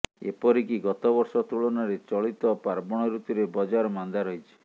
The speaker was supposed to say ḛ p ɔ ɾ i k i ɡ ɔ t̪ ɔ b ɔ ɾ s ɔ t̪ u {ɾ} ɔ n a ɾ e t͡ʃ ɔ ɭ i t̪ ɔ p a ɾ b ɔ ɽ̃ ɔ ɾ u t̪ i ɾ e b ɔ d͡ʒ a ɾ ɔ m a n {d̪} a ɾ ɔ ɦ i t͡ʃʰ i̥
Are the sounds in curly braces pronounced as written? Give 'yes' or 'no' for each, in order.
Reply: no, yes

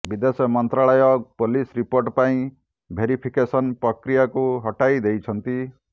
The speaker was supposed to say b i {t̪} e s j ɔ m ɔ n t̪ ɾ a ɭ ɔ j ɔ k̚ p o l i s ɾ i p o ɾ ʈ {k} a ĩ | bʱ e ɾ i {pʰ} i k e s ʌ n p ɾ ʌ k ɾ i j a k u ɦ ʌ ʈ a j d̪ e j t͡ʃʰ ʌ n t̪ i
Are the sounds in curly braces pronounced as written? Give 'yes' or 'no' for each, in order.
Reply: no, no, yes

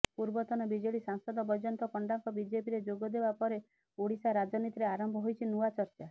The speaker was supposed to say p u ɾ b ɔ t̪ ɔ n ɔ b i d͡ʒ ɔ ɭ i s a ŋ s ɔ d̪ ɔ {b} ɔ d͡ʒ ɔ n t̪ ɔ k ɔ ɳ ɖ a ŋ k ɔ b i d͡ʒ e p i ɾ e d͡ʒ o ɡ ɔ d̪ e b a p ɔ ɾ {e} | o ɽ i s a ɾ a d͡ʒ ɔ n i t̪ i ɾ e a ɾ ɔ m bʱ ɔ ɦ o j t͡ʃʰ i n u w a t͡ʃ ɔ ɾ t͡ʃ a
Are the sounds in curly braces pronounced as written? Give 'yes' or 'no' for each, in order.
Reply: yes, yes

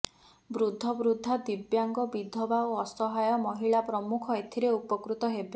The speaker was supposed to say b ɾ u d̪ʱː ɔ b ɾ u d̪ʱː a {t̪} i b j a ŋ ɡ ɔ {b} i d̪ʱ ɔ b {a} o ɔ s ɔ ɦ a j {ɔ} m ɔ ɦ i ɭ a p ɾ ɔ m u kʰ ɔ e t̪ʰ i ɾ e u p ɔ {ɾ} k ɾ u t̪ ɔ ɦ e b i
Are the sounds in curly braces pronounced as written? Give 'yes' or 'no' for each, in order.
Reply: no, yes, yes, yes, no

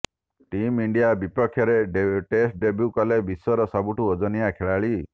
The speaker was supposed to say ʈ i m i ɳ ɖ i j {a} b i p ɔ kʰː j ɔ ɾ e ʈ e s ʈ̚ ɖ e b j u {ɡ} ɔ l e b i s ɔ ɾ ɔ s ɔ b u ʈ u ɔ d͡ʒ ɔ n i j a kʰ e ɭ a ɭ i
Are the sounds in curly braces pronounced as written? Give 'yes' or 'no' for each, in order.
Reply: yes, no

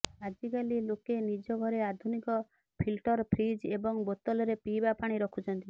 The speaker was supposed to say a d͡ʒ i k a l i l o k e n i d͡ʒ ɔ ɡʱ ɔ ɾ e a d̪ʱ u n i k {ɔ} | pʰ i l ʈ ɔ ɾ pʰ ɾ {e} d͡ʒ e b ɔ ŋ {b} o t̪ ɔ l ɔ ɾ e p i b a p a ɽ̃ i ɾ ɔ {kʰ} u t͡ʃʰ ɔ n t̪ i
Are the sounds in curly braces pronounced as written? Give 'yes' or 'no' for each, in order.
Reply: yes, no, yes, yes

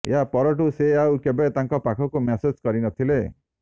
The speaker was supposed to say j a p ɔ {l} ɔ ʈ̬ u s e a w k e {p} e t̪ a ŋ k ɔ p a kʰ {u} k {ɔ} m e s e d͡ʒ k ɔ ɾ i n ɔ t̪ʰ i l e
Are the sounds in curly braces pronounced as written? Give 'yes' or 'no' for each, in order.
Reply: no, no, no, no

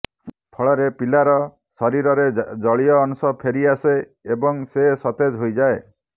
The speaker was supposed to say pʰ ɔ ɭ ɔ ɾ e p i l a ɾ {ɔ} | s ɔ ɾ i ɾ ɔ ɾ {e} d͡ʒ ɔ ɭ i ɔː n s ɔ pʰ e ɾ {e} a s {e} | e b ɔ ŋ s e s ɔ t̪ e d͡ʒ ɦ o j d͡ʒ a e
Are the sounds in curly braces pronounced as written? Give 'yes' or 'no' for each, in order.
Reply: yes, yes, no, yes

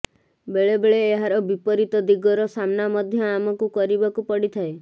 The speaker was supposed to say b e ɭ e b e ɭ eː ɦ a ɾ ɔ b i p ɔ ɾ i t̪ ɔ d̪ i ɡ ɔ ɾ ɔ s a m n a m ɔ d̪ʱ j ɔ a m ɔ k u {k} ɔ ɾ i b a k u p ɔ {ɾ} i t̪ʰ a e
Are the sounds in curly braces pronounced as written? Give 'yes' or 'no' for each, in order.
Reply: yes, no

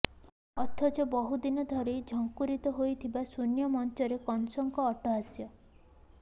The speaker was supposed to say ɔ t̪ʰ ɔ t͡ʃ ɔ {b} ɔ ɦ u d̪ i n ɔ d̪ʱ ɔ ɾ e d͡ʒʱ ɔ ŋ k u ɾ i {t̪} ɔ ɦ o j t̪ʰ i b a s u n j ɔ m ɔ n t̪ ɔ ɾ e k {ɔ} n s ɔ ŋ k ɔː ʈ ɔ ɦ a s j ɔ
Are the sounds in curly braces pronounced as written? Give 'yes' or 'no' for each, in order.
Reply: yes, yes, yes

